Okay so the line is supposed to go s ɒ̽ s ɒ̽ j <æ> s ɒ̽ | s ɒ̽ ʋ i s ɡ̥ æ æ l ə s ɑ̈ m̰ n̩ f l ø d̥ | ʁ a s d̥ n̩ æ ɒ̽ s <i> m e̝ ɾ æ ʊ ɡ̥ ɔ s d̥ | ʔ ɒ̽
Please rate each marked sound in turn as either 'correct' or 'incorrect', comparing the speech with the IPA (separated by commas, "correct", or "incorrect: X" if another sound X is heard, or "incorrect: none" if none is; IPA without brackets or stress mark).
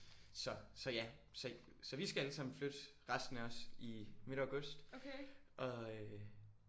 correct, correct